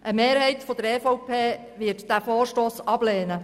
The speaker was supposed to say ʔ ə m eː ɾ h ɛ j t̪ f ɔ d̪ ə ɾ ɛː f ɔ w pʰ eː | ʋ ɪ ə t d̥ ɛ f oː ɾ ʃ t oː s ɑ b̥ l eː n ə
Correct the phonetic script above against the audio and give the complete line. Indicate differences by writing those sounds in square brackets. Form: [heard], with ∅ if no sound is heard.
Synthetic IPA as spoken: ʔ ə m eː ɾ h ɛ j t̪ f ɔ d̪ ə ɾ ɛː f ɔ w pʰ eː | ʋ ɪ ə t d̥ [æ] f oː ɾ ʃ t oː s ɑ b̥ l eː n ə